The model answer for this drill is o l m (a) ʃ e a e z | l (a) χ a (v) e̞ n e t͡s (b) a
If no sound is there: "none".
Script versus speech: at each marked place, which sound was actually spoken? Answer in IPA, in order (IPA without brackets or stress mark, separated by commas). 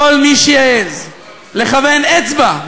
i, e, v, b